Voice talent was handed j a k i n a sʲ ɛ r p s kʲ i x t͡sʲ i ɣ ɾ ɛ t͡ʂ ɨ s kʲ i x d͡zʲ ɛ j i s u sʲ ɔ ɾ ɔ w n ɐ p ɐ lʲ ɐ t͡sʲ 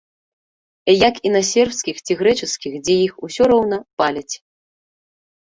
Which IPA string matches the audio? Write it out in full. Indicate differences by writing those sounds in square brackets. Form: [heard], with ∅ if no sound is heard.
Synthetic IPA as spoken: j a k i n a sʲ ɛ r p s kʲ i x t͡sʲ i ɣ ɾ ɛ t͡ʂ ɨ s kʲ i x d͡zʲ ɛ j i [x] u sʲ ɔ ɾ ɔ w n ɐ p [a] lʲ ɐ t͡sʲ